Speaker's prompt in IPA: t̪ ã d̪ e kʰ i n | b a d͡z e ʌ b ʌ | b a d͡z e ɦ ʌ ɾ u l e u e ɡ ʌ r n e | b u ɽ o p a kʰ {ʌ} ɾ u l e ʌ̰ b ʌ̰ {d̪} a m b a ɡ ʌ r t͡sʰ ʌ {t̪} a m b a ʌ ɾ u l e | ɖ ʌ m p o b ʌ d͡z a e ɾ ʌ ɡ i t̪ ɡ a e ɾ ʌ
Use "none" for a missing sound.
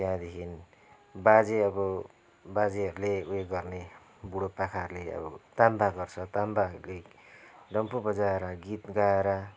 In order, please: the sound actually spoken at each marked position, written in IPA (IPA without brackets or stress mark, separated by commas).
a, t̪, t̪